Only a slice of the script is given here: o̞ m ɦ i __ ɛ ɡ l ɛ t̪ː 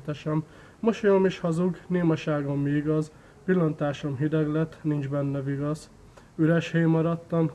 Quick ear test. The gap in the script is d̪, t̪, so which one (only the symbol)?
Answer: d̪